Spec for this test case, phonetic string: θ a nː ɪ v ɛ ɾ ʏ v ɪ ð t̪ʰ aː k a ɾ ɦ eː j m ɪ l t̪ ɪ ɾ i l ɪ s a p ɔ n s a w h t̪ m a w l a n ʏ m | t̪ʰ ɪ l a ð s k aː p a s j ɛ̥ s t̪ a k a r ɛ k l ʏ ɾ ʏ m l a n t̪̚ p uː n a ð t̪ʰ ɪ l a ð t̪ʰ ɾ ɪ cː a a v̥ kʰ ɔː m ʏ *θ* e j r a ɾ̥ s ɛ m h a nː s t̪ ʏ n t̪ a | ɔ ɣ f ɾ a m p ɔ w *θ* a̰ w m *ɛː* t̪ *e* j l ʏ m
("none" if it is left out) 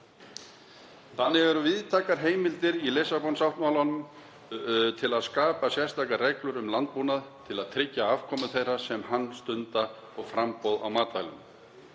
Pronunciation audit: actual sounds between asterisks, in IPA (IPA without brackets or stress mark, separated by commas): θ, ð, aː, a